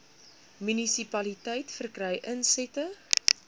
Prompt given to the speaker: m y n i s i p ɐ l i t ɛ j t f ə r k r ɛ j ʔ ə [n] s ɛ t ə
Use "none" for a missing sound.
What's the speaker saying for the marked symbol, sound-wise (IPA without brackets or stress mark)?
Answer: n